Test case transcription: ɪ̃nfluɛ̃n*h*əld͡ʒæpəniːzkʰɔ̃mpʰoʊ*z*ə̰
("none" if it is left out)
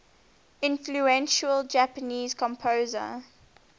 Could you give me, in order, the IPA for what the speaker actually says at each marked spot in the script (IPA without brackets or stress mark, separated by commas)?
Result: ʃ, z